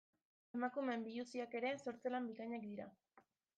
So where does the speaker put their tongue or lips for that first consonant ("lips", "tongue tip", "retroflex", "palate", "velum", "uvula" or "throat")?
lips